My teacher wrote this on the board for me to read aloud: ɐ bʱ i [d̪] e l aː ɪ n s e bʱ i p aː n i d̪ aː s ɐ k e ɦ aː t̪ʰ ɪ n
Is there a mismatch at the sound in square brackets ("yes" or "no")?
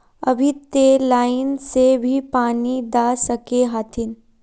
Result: yes